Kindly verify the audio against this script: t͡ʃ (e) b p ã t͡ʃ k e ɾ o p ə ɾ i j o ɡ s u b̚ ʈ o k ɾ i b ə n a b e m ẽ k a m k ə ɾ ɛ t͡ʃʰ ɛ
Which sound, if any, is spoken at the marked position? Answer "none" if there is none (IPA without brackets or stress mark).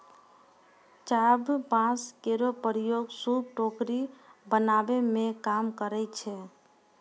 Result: a